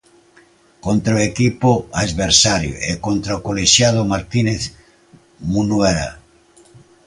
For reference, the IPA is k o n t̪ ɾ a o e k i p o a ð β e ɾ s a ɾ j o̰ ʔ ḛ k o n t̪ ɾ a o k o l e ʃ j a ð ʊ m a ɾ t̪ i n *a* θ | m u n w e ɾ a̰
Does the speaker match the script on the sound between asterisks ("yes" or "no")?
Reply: no